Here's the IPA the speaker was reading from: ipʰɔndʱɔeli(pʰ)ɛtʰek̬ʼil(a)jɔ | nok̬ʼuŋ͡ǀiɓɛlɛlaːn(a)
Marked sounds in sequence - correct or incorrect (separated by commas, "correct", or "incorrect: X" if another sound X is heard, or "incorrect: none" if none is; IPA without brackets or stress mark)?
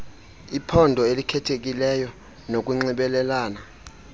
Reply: incorrect: kʰ, incorrect: ɛ, correct